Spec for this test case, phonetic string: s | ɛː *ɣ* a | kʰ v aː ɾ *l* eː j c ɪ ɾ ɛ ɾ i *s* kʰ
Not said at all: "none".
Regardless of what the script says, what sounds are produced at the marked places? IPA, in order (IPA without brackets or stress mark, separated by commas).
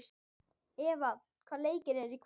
v, l, none